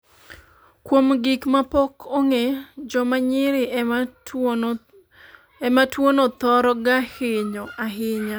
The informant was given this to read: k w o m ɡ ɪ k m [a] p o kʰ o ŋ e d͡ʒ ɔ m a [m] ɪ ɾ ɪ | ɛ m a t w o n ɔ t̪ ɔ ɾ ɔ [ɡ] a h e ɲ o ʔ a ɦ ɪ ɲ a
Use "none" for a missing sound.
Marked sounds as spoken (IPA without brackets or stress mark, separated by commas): a, ɲ, ɡ